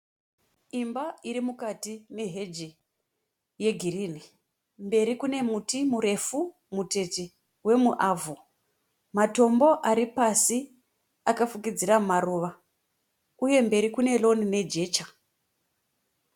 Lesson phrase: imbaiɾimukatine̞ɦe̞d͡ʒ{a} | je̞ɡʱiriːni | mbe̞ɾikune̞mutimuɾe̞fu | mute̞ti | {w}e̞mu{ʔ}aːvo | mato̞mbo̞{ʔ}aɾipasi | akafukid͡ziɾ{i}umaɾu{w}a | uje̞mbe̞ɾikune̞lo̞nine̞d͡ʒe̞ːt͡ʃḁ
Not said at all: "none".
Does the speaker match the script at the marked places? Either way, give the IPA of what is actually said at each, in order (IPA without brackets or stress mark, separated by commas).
i, w, ʔ, ʔ, a, ʋ